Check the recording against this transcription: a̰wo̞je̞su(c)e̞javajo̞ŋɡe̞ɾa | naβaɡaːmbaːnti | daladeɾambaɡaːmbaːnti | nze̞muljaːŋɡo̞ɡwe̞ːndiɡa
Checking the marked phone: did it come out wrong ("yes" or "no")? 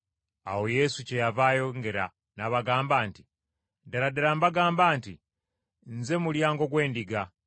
no